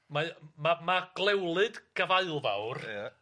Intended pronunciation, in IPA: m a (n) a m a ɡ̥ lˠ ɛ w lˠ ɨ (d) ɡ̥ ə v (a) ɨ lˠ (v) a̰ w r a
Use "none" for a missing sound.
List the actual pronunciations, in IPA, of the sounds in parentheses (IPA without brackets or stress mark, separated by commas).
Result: m, d, a, v